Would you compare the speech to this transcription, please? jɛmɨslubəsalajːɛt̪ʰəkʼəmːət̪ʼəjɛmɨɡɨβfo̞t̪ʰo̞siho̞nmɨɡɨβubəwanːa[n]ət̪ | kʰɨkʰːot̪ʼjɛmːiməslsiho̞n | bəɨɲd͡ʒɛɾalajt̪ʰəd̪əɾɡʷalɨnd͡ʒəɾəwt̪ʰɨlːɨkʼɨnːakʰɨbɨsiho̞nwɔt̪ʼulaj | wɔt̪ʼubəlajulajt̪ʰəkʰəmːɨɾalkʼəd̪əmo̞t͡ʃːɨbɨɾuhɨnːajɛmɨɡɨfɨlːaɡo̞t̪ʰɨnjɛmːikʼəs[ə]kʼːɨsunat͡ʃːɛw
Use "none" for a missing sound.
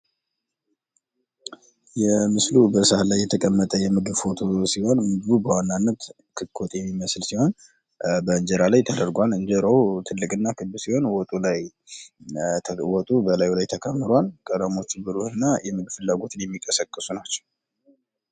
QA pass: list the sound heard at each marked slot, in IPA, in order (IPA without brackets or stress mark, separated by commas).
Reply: nː, ə